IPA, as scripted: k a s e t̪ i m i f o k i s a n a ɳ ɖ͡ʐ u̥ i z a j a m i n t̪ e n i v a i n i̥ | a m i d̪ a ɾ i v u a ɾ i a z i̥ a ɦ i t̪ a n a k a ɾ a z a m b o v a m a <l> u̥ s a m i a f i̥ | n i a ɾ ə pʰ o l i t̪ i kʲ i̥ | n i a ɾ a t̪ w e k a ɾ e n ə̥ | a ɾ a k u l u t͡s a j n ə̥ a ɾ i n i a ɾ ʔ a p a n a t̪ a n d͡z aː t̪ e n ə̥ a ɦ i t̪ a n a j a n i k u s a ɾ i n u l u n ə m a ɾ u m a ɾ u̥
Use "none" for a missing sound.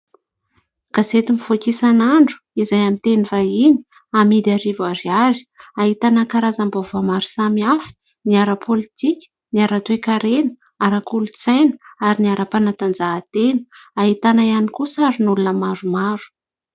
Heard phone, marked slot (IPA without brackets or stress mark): ɾ